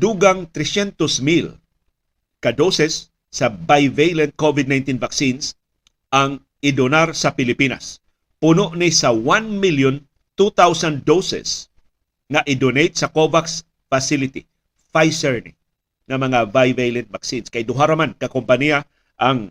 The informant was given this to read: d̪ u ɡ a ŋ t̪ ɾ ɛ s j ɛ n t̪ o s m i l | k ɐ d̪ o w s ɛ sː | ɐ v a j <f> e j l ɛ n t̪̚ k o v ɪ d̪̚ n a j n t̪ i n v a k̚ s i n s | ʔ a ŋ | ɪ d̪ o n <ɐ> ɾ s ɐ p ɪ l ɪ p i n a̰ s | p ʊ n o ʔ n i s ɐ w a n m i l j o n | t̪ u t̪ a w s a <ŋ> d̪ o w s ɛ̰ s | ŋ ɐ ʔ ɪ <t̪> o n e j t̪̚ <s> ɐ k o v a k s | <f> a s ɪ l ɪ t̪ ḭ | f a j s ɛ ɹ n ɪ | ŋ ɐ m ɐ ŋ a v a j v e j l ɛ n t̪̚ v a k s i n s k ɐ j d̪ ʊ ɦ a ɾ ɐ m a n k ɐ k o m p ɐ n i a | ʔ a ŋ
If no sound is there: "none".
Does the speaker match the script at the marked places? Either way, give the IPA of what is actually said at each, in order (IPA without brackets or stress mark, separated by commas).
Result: v, a, n, d̪, s, f